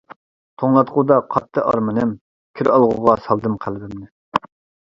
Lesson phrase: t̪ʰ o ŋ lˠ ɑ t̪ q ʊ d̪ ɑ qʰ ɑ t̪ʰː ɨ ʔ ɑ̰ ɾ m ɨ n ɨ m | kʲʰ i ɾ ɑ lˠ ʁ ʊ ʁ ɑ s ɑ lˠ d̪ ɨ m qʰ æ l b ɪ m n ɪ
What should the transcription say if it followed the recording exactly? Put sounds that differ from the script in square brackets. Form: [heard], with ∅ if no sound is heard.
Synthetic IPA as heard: t̪ʰ o ŋ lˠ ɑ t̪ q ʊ d̪ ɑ qʰ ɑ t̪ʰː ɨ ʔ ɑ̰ ɾ m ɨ n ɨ m | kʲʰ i ɾ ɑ lˠ ʁ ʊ ʁ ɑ s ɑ lˠ d̪ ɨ m qʰ æ l b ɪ m n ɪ

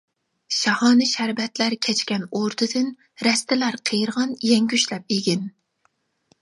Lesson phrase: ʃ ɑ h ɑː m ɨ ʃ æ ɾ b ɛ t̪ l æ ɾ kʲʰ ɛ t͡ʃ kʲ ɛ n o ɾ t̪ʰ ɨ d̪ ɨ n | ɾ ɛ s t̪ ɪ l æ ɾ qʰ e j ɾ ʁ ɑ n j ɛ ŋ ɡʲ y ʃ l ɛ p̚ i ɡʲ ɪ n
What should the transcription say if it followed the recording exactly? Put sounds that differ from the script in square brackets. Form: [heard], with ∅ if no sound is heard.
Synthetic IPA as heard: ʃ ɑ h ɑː [n] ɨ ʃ æ ɾ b ɛ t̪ l æ ɾ kʲʰ ɛ t͡ʃ kʲ ɛ n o ɾ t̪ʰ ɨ d̪ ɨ n | ɾ ɛ s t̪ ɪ l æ ɾ qʰ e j ɾ ʁ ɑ n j ɛ ŋ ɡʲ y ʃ l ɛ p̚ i ɡʲ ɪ n

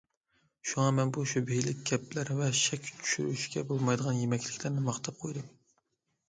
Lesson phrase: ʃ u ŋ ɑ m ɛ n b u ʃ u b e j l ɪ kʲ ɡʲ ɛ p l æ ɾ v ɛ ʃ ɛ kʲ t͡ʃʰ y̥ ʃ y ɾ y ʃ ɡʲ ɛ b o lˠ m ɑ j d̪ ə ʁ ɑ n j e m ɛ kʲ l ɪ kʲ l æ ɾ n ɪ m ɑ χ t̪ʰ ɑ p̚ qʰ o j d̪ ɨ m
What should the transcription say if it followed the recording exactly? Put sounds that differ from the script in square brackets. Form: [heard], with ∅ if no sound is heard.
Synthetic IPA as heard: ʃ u ŋ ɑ m ɛ n b u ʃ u b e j l ɪ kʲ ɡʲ ɛ p l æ ɾ v ɛ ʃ ɛ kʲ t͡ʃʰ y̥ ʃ y ɾ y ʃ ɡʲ ɛ b o lˠ m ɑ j d̪ ə ʁ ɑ n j e m ɛ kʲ l ɪ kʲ l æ ɾ n ɪ m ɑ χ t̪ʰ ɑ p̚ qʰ o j d̪ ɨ m

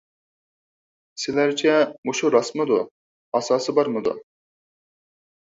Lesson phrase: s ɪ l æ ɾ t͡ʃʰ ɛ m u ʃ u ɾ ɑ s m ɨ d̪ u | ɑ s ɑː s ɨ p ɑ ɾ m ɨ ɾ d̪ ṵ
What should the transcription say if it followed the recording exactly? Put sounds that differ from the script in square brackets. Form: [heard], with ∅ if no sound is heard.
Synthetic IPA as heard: s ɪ l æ ɾ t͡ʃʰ ɛ m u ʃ u ɾ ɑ s m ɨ d̪ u | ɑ s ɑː s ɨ [b] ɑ ɾ m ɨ [∅] d̪ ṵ

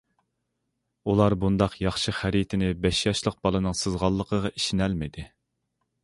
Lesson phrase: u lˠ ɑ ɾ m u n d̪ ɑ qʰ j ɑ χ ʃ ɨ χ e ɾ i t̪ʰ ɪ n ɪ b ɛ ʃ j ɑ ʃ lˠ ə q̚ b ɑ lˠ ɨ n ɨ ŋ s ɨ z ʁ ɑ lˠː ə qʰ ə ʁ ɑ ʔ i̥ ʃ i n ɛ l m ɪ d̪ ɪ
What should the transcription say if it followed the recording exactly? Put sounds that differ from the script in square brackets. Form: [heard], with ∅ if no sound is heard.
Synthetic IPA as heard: u lˠ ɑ ɾ [b] u n d̪ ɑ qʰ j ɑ χ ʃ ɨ χ [æ] ɾ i t̪ʰ ɪ n ɪ b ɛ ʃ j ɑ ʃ lˠ ə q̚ b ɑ lˠ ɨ n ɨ ŋ s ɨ z ʁ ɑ lˠː ə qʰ ə ʁ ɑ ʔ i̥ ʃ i n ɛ l m ɪ d̪ ɪ

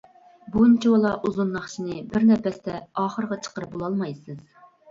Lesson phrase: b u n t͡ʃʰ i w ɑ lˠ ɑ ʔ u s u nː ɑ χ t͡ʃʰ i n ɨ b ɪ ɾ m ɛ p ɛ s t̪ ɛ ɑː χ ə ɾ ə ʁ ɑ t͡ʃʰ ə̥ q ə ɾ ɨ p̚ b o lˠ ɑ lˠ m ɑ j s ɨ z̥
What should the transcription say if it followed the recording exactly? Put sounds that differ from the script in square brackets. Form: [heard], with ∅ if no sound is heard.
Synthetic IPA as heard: b u n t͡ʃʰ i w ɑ lˠ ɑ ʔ u [z] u nː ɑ χ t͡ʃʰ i n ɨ b ɪ ɾ [n] ɛ p ɛ s t̪ ɛ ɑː χ ə ɾ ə ʁ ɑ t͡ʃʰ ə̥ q ə ɾ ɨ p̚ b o lˠ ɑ lˠ m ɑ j s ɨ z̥

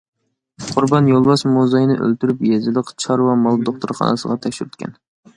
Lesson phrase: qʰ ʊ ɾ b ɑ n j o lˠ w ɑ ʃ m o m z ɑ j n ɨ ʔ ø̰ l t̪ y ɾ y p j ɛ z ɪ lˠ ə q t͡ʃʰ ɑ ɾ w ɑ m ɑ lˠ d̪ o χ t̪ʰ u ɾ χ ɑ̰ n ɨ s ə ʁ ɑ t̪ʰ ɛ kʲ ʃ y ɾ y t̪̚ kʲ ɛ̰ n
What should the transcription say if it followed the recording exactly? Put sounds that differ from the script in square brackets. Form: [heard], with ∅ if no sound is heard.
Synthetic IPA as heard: qʰ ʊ ɾ b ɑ n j o lˠ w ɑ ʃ m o [∅] z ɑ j n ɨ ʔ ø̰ l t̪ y ɾ y p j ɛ z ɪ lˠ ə q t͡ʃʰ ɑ ɾ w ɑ m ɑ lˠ d̪ o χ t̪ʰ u ɾ χ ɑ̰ n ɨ s ə ʁ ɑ t̪ʰ ɛ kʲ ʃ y ɾ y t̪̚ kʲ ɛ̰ n

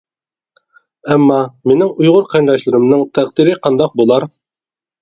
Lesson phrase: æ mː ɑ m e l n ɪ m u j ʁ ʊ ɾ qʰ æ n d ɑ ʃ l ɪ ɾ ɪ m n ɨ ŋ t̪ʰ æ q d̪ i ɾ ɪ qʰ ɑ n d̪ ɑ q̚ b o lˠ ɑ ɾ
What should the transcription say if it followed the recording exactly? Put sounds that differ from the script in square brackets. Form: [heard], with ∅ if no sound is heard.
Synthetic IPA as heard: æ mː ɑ m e [∅] n ɪ [ŋ] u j ʁ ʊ ɾ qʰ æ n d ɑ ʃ l ɪ ɾ ɪ m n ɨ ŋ t̪ʰ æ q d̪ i ɾ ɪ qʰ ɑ n d̪ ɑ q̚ b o lˠ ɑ ɾ

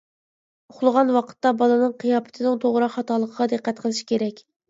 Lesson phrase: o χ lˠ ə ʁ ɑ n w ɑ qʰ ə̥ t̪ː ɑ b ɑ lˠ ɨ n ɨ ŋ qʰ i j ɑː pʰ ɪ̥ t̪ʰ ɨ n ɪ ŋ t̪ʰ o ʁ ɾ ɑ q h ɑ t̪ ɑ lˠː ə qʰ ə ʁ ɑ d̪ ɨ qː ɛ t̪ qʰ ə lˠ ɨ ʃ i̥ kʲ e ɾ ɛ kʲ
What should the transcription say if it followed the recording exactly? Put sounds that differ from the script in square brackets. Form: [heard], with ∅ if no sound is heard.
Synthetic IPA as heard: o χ lˠ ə ʁ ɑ n w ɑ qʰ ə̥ t̪ː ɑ b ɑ lˠ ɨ n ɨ ŋ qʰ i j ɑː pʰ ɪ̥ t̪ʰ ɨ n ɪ ŋ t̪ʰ o ʁ ɾ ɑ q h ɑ t̪ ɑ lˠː ə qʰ ə ʁ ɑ d̪ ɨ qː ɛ t̪ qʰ ə lˠ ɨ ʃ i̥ kʲ e ɾ ɛ kʲ

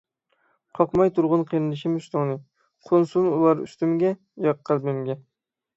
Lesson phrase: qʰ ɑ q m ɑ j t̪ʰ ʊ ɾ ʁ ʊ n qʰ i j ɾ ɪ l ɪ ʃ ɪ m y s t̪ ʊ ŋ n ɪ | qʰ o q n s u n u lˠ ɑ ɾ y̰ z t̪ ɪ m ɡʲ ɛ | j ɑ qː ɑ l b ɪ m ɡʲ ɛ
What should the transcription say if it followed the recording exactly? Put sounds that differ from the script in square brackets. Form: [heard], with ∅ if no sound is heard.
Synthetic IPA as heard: qʰ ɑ q m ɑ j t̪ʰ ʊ ɾ ʁ ʊ n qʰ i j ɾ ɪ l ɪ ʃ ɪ m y s t̪ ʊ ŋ n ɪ | qʰ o [∅] n s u n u lˠ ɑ ɾ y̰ [s] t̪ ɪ m ɡʲ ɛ | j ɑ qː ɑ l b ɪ m ɡʲ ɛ

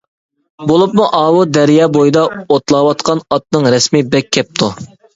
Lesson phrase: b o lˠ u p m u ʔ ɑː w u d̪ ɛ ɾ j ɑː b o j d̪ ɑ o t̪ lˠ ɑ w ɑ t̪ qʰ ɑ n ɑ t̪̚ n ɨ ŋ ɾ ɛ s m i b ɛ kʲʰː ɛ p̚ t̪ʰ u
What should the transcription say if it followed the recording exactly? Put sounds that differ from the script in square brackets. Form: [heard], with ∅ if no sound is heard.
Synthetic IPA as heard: b o lˠ u p m u ʔ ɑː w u d̪ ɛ ɾ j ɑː b o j d̪ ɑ o t̪ lˠ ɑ w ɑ t̪ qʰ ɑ n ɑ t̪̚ n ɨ ŋ ɾ ɛ s m i b ɛ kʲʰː ɛ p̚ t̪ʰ u

